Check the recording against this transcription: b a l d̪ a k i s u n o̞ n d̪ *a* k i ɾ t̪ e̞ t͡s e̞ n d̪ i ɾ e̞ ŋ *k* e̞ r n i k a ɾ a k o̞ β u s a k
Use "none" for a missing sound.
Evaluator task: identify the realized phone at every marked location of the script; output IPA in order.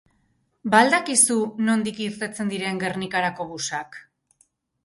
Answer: i, ɡ

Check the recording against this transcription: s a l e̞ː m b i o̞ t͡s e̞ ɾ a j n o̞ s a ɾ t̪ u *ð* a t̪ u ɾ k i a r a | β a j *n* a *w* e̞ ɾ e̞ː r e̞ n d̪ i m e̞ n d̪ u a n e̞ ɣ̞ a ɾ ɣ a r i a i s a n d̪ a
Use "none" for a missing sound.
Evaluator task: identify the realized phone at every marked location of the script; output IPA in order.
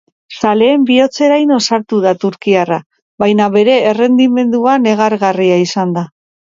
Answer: ð, n, β

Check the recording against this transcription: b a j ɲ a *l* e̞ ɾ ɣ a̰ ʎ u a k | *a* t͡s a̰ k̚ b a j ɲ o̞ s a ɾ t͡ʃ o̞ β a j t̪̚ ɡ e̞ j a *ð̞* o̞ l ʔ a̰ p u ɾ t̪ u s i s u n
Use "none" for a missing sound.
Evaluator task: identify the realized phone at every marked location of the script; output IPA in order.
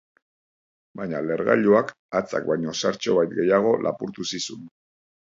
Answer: l, a, ɣ̞

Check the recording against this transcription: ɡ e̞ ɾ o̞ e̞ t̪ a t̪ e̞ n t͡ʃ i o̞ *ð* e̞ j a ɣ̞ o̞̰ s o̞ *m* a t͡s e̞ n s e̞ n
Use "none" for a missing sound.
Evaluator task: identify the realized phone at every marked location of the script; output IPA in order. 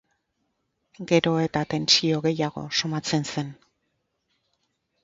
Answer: ɣ, m

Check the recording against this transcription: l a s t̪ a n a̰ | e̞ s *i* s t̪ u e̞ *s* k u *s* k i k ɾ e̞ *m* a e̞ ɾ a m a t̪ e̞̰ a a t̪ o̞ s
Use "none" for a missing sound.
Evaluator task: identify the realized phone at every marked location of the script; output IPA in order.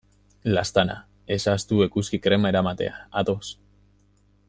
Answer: a, none, s, m

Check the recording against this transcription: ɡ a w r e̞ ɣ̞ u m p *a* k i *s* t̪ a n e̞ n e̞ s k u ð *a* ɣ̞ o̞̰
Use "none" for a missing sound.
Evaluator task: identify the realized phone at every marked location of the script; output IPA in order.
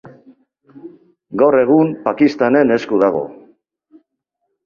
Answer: a, s, a

